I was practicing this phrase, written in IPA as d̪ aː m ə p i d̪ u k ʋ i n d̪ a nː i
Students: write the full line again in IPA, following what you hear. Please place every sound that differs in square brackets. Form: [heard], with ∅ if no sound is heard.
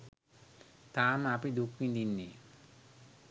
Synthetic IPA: [t̪] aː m [a] p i d̪ u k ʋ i n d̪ [i] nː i